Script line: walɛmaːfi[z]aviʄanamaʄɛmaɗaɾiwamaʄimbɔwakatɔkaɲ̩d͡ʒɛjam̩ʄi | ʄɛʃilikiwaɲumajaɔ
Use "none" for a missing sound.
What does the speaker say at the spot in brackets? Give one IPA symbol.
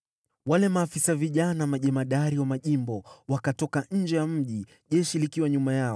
s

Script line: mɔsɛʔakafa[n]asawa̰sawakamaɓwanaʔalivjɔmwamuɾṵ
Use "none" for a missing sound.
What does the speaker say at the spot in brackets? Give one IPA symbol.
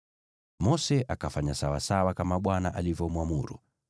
ɲ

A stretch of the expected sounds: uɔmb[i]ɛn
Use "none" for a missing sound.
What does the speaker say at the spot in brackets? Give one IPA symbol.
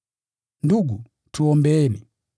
ɛ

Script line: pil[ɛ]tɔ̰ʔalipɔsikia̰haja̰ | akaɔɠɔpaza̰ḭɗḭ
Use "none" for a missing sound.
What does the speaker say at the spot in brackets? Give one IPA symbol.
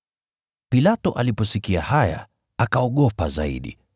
a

